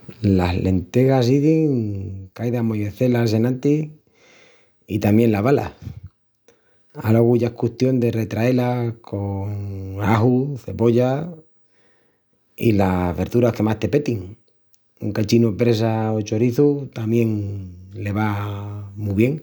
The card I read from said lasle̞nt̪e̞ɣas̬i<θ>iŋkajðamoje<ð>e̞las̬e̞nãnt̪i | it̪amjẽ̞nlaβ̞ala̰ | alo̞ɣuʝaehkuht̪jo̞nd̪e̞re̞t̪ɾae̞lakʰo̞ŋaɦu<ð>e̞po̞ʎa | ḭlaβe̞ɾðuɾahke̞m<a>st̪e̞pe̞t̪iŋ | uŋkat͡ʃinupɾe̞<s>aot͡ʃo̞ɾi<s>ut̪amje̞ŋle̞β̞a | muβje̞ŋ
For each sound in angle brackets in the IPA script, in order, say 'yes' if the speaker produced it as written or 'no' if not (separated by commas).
no, no, no, yes, yes, no